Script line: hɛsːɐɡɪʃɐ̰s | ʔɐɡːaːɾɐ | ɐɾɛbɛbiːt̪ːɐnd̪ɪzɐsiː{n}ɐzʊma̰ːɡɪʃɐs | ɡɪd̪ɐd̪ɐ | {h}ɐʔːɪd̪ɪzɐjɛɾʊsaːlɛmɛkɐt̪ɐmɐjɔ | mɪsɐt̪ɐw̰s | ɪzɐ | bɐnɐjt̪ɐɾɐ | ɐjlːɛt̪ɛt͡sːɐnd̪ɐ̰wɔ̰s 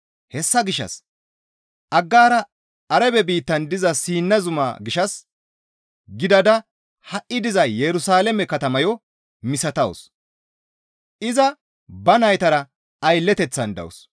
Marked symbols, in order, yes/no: no, yes

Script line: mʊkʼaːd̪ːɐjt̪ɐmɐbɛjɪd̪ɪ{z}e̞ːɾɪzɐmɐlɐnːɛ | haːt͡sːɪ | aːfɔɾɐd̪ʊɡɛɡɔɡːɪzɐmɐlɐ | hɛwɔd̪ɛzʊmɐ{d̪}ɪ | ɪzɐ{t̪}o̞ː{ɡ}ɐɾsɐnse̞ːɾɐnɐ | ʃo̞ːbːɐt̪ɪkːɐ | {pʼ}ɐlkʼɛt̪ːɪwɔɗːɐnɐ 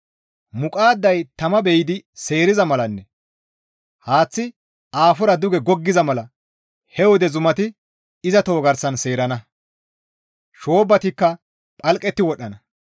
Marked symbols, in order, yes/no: no, no, yes, yes, yes

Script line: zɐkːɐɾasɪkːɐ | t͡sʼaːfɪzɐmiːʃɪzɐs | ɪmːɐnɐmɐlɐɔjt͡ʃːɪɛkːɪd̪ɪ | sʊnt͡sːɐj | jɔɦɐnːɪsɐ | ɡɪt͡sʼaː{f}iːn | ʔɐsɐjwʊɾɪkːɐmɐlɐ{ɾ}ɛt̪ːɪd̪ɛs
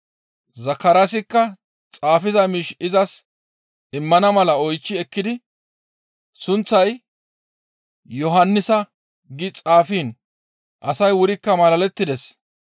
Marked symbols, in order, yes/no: yes, no

